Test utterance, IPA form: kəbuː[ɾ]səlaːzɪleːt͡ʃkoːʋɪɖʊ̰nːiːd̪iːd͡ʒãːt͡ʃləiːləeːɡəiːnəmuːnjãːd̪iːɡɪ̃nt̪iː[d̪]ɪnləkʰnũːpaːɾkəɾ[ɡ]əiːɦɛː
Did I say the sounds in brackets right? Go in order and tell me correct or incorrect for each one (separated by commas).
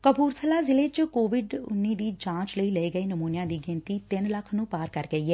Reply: correct, incorrect, correct